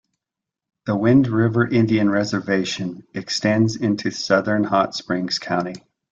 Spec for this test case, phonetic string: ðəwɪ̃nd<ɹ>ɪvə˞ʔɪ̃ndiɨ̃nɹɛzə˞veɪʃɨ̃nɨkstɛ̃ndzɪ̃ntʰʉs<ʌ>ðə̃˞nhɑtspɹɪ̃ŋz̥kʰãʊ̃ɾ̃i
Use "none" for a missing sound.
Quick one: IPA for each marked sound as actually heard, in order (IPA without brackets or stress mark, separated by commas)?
ɹ, ʌ